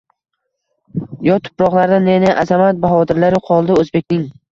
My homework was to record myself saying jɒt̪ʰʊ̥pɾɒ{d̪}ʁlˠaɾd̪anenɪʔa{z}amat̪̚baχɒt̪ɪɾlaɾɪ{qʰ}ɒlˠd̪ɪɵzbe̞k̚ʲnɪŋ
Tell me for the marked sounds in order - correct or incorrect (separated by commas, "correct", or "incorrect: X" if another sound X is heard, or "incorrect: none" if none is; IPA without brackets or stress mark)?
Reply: incorrect: none, correct, correct